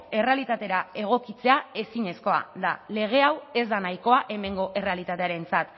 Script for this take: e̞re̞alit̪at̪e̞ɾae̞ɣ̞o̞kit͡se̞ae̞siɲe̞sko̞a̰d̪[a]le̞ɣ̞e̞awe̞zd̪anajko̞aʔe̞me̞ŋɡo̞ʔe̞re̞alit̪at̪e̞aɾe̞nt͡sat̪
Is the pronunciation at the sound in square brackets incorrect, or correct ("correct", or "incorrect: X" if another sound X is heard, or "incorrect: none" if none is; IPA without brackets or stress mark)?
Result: correct